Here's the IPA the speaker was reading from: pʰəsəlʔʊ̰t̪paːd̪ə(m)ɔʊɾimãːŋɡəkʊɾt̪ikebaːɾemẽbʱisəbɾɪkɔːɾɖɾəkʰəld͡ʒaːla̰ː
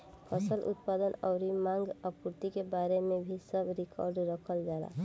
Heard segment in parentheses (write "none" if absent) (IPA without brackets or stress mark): n